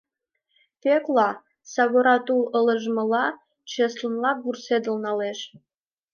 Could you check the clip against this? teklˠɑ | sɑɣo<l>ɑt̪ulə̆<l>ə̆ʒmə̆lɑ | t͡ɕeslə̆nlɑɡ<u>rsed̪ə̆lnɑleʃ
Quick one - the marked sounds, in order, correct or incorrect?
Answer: incorrect, correct, correct

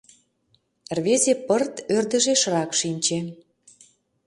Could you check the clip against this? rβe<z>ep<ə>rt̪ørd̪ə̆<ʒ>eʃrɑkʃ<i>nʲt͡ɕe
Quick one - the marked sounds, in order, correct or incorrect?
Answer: correct, correct, correct, correct

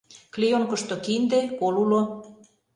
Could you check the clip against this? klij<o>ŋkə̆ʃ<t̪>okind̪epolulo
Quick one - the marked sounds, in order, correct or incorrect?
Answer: correct, correct

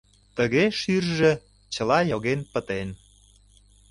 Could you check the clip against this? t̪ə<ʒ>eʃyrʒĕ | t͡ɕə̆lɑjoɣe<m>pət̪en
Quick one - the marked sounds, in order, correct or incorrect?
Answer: incorrect, incorrect

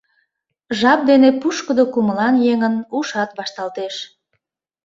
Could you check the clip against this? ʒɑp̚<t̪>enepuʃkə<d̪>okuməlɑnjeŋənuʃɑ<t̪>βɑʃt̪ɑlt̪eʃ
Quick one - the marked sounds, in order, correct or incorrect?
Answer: incorrect, correct, correct

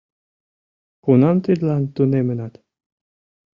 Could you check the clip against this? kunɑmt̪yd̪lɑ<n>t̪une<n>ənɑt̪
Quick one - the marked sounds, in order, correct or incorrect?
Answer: correct, incorrect

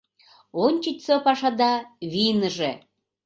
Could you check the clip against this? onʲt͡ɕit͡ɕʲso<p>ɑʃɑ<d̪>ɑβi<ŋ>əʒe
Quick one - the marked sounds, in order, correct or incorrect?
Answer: correct, correct, incorrect

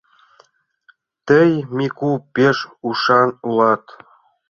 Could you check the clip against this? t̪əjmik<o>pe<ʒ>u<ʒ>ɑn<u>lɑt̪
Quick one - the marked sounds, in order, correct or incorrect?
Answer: incorrect, incorrect, incorrect, correct

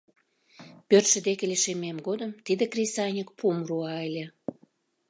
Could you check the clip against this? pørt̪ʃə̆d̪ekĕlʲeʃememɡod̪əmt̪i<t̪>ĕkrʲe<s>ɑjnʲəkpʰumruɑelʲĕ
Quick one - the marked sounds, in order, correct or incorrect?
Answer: incorrect, correct

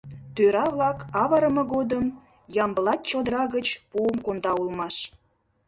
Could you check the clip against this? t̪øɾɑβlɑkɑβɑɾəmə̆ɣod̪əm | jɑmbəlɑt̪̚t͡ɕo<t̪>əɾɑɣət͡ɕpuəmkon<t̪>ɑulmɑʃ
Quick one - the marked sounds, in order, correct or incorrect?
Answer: incorrect, incorrect

